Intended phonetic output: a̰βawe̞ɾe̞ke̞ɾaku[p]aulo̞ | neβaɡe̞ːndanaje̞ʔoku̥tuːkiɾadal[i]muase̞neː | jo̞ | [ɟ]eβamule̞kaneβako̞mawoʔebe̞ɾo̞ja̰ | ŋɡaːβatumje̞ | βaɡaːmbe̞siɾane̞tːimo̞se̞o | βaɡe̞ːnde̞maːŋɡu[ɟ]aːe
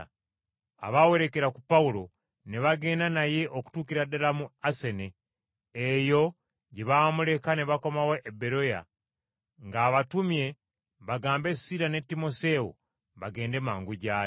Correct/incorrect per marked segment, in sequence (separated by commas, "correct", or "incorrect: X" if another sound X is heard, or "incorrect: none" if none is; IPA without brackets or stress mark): correct, incorrect: a, correct, correct